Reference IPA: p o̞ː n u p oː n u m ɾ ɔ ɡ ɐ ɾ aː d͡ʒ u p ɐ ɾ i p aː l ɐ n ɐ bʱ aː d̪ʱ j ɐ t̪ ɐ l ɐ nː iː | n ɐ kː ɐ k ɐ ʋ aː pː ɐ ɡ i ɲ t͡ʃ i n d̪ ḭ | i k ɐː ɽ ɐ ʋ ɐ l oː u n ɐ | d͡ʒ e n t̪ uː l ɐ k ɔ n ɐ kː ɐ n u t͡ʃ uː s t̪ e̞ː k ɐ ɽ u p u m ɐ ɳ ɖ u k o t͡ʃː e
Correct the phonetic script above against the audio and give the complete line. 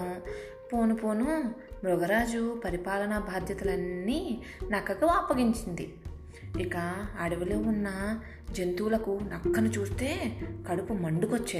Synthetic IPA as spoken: p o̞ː n u p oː n u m ɾ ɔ ɡ ɐ ɾ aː d͡ʒ u p ɐ ɾ i p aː l ɐ n ɐ bʱ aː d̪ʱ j ɐ t̪ ɐ l ɐ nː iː | n ɐ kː ɐ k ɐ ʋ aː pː ɐ ɡ i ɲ t͡ʃ i n d̪ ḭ | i k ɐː ɽ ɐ ʋ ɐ l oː u nː ɐ | d͡ʒ e n t̪ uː l ɐ k u n ɐ kː ɐ n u t͡ʃ uː s t̪ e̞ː k ɐ ɽ u p u m ɐ ɳ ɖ u k o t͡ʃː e